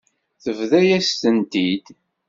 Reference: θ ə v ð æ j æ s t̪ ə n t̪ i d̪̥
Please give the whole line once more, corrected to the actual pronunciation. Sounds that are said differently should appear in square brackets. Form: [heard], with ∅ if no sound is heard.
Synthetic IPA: θ ə v ð æ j æ s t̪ ə n t̪ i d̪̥